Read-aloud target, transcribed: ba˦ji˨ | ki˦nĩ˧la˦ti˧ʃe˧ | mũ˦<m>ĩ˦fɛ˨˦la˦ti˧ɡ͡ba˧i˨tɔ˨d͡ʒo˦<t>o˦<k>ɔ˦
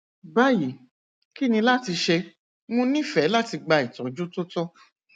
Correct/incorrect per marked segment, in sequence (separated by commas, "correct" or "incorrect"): incorrect, correct, incorrect